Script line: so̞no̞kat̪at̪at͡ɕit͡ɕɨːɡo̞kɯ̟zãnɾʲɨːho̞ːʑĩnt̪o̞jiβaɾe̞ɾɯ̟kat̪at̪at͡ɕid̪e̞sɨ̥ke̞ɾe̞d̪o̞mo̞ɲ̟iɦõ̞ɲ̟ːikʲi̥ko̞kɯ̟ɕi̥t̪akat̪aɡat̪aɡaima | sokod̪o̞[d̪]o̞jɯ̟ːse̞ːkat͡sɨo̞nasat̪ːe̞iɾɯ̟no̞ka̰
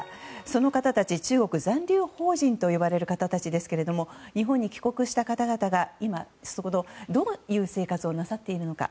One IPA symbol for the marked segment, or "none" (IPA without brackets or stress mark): d̪